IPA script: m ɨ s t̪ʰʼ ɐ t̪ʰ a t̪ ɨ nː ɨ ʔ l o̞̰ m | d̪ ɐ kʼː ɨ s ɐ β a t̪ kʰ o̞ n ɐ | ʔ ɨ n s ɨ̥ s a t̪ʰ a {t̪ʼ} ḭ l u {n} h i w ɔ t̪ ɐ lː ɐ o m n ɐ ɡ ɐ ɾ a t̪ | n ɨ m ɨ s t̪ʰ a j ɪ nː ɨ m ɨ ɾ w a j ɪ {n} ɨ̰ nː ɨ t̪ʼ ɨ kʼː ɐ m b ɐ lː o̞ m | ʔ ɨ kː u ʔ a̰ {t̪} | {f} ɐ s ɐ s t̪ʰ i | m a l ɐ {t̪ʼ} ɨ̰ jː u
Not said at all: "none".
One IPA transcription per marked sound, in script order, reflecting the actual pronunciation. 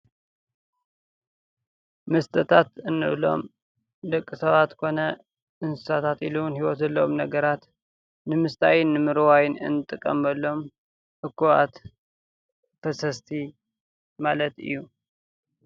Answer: t̪, n, n, t̪, f, t̪

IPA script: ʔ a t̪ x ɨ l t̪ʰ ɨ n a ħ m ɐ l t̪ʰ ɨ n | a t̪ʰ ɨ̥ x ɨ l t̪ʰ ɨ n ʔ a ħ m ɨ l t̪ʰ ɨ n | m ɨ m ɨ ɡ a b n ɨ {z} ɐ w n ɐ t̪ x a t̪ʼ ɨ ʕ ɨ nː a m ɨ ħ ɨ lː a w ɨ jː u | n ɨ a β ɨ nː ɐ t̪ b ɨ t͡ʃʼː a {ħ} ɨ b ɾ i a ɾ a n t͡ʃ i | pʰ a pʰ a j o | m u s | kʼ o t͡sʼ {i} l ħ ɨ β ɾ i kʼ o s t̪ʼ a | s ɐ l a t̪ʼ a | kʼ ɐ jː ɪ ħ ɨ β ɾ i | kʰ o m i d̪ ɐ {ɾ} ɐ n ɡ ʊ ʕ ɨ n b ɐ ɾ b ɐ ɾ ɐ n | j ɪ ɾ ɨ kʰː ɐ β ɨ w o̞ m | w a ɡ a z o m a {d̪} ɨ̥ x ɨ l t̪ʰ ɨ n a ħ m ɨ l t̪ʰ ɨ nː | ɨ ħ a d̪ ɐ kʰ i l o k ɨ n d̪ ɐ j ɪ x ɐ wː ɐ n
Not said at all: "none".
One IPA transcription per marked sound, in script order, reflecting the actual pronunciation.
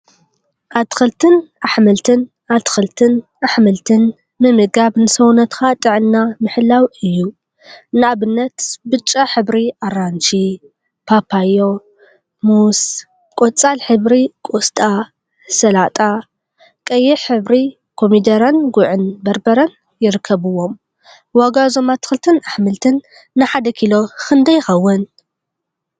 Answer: s, ħ, a, ɾ, t̪

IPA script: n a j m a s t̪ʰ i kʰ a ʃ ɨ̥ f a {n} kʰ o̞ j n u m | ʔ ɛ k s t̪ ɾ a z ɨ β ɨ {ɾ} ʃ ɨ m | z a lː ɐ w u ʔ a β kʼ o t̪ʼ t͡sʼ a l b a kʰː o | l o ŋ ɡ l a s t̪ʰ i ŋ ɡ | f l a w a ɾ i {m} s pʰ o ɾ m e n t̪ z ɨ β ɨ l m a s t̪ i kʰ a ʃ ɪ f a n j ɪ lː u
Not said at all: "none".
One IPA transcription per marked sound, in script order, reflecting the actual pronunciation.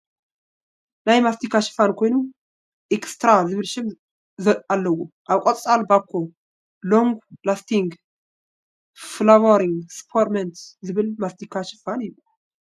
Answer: n, l, ŋ

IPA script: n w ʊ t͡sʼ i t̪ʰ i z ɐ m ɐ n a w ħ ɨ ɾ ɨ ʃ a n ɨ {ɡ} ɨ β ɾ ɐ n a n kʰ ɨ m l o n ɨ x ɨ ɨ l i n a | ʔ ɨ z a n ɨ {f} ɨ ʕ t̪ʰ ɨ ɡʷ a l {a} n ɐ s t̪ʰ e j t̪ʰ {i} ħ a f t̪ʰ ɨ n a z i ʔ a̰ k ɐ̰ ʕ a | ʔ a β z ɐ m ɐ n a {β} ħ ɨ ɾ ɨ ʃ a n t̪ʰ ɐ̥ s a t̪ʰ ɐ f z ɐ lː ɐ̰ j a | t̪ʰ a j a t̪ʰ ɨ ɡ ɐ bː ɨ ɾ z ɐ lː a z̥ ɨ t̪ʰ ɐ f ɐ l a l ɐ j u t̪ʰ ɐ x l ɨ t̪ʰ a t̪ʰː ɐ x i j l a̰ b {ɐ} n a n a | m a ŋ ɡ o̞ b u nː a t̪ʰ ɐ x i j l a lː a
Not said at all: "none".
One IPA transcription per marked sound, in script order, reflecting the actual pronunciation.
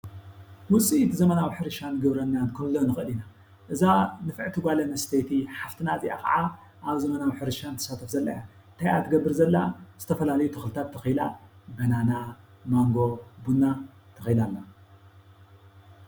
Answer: ɡ, f, ɐ, i, w, ɐ

